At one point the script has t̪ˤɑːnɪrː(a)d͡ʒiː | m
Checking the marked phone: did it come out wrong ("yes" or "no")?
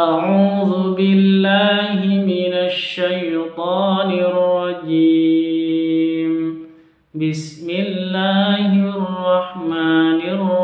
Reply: yes